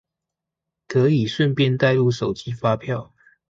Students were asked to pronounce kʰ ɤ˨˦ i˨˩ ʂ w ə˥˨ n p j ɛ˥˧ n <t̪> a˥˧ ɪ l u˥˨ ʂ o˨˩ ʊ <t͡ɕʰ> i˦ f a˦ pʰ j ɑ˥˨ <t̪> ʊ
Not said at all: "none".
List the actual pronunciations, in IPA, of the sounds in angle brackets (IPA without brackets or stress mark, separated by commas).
t̪, t͡ɕ, none